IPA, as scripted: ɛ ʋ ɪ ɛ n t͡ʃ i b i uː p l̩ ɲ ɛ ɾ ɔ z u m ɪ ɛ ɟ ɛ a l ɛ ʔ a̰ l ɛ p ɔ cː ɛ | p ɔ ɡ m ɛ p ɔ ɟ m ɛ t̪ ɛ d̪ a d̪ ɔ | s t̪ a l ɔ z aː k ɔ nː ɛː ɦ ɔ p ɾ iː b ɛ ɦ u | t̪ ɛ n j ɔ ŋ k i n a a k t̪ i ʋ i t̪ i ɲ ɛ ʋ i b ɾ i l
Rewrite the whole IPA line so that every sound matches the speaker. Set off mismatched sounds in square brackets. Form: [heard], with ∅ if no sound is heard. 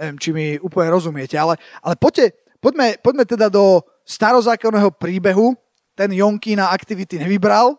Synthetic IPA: ɛ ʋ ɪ ɛ [m] t͡ʃ i [m] i uː p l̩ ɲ ɛ ɾ ɔ z u m ɪ ɛ [c] ɛ a l ɛ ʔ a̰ l ɛ p ɔ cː ɛ | p ɔ [ɟ] m ɛ p ɔ ɟ m ɛ t̪ ɛ d̪ a d̪ ɔ | s t̪ a [ɾ] ɔ z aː k ɔ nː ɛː ɦ ɔ p ɾ iː b ɛ ɦ u | t̪ ɛ n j ɔ ŋ k i n a a k t̪ i ʋ i t̪ i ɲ ɛ ʋ i b ɾ [a] l